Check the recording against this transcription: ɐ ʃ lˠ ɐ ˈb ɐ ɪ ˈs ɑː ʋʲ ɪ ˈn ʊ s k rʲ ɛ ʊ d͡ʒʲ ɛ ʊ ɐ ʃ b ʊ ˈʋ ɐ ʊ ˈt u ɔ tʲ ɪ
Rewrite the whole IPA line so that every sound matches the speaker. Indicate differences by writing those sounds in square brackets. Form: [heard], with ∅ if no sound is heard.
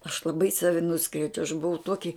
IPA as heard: ɐ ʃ lˠ ɐ ˈb ɐ ɪ ˈs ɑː ʋʲ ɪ ˈn ʊ s k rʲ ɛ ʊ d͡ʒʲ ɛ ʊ ɐ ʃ b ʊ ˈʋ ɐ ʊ ˈt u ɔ [kʲ] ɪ